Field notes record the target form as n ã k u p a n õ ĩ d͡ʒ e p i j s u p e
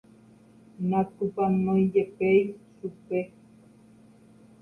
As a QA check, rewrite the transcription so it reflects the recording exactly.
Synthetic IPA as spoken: n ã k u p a n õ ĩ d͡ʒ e p e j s u p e